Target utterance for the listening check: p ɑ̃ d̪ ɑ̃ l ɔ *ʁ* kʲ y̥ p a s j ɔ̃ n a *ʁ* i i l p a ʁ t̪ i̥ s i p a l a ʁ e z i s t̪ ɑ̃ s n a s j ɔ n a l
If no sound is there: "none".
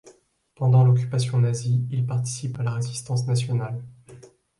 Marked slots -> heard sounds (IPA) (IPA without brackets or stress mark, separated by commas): none, z